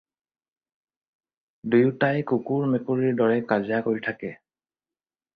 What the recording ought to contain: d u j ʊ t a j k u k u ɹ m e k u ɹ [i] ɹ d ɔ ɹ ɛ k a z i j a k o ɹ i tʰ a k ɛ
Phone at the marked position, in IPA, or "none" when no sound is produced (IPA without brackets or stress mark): i